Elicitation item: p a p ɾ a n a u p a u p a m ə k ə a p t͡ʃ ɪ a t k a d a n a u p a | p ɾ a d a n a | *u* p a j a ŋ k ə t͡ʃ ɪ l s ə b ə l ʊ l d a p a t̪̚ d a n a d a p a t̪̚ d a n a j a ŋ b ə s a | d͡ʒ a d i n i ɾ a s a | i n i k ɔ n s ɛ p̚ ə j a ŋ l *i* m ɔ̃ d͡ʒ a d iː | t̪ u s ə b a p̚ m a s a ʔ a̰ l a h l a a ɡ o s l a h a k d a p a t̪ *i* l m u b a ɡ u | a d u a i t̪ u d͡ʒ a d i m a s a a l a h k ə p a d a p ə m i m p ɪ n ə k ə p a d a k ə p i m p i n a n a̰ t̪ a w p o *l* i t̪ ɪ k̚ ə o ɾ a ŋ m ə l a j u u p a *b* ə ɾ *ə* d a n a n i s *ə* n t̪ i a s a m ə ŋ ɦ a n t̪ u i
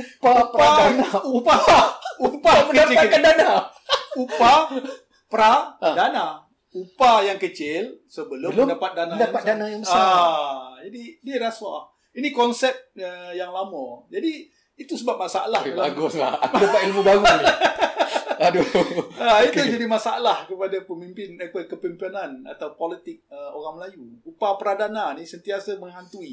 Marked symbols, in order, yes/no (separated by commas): yes, no, yes, yes, no, no, yes